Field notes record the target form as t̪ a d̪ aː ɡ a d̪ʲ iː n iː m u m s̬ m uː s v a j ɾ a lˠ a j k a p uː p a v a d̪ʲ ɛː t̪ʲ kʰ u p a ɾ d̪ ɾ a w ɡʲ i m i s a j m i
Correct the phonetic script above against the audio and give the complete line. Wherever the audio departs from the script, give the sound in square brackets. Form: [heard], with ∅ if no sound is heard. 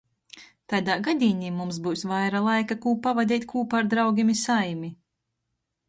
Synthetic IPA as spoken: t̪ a d̪ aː ɡ a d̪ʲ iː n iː m u m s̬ [b] uː s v a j ɾ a lˠ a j k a [k] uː p a v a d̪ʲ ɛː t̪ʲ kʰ [uː] p a ɾ d̪ ɾ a w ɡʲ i m i s a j m i